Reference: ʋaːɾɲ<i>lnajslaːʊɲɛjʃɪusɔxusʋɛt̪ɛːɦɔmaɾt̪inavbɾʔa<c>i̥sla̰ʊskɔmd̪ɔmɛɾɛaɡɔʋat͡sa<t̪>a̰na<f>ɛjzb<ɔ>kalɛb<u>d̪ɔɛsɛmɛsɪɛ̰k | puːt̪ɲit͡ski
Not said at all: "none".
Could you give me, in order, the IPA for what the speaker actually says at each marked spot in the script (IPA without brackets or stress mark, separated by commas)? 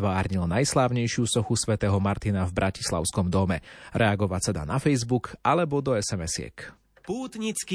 i, c, d̪, f, u, ɔ